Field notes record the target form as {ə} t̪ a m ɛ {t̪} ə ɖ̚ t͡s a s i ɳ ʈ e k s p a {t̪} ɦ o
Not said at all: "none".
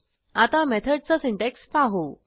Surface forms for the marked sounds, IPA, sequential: a, t̪ʰ, none

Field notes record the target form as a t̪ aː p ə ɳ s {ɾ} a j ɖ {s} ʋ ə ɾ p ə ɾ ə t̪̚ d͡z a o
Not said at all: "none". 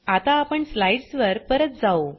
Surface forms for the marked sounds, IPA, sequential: l, s

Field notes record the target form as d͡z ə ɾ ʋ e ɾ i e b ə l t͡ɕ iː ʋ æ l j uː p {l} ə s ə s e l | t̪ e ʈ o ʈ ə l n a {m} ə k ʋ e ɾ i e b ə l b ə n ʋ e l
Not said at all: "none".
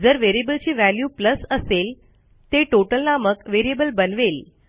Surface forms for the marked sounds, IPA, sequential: l, m

